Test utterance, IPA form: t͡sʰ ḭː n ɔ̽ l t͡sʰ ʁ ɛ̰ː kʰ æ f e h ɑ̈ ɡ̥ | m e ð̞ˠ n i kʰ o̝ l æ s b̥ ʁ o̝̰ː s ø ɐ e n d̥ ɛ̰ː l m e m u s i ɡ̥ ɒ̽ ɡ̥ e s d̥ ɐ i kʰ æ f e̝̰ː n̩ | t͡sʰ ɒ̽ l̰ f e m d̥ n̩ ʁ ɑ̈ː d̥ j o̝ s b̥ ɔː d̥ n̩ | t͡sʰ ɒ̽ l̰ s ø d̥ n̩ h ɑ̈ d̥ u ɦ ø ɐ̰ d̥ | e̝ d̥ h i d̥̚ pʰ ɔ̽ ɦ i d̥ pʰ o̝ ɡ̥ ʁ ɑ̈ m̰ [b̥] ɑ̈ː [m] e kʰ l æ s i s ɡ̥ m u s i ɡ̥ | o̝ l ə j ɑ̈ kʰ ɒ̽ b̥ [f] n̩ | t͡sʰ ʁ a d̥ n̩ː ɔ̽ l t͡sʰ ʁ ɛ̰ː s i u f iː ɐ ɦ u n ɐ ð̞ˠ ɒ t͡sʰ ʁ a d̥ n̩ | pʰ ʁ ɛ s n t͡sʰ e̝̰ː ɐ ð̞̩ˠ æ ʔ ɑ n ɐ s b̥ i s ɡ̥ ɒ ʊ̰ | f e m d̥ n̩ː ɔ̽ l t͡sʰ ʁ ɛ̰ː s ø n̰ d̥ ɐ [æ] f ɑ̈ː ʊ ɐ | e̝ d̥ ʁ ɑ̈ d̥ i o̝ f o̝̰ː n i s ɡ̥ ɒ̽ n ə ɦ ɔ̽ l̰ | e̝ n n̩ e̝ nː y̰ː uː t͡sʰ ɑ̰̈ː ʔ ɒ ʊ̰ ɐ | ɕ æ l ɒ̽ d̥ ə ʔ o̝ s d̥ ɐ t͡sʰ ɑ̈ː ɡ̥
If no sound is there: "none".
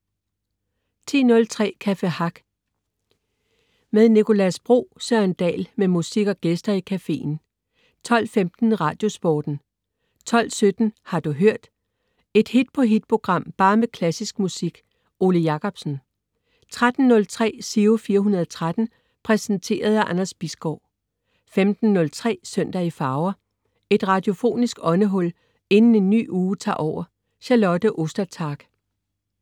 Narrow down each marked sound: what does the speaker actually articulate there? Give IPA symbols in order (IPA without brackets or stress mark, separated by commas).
b̥, m, s, i